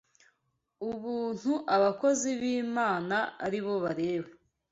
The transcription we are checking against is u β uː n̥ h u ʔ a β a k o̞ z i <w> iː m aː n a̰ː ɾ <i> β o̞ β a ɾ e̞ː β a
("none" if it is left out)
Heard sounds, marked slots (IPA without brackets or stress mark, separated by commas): β, i